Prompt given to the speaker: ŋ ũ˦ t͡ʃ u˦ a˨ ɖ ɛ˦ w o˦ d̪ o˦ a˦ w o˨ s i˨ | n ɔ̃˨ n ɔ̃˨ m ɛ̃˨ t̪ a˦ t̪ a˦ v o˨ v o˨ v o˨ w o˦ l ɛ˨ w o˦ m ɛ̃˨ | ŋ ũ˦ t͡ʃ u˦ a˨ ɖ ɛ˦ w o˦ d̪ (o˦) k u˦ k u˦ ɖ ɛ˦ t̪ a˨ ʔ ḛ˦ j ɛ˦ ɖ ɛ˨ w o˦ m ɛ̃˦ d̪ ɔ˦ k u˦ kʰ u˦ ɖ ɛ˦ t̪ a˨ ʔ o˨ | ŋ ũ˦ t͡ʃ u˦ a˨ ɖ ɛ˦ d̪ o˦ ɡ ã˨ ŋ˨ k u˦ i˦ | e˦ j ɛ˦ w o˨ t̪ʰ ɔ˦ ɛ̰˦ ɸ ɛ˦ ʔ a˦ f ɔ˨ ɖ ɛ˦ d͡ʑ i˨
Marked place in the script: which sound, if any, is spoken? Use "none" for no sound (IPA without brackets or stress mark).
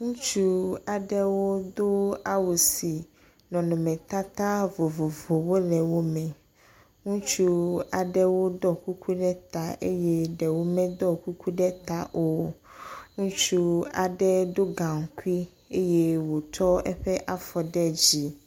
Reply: ɔ˦